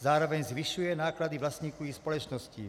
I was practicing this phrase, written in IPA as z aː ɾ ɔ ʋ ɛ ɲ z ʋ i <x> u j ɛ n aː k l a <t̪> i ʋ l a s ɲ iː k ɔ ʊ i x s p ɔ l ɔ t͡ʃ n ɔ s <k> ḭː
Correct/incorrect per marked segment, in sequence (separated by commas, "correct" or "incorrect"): incorrect, incorrect, incorrect